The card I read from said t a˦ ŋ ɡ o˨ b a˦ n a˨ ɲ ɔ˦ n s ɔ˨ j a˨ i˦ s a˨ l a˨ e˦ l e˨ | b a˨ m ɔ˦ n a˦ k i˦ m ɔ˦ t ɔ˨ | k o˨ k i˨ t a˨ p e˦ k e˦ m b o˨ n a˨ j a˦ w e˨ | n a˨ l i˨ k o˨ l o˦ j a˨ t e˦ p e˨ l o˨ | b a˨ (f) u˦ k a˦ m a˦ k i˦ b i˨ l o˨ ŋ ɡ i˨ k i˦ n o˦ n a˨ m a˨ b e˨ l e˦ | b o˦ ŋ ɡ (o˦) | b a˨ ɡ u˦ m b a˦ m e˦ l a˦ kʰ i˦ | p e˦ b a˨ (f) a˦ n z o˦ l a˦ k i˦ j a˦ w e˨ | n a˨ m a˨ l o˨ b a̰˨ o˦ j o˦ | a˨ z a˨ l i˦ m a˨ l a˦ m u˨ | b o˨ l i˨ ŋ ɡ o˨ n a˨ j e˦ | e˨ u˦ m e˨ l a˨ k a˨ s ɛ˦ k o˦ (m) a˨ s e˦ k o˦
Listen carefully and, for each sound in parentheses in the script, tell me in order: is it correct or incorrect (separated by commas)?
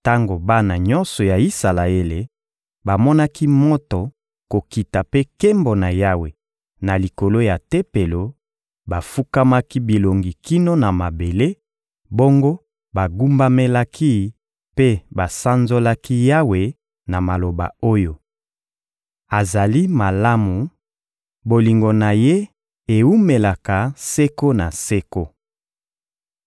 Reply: correct, correct, incorrect, incorrect